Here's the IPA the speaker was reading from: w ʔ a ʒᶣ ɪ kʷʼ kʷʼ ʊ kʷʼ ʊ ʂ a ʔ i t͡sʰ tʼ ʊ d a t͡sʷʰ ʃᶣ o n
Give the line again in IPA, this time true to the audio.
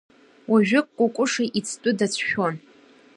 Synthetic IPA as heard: w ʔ a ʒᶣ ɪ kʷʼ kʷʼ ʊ kʷʼ ʊ ʂ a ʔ i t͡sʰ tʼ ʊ d a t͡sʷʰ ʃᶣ o n